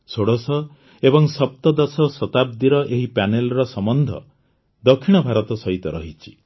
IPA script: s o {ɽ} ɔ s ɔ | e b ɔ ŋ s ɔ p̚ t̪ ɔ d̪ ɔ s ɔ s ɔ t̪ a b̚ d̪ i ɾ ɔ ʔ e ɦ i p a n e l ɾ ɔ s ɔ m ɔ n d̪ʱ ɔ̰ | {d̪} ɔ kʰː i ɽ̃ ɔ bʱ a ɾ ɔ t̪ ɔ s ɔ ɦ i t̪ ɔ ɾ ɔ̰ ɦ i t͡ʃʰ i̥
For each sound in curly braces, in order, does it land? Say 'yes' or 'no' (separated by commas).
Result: yes, yes